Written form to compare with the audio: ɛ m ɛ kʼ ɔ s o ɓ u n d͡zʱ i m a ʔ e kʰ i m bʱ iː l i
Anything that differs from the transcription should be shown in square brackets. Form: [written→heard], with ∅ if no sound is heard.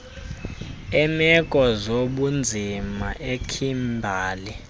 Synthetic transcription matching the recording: ɛ m ɛ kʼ ɔ [s→z] o ɓ u n d͡zʱ i m a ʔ e kʰ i m bʱ [iː→aː] l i